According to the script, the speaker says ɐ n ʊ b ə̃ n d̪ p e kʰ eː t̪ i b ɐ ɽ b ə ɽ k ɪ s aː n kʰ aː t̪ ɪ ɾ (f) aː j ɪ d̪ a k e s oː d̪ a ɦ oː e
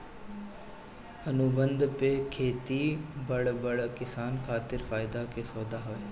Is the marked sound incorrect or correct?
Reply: correct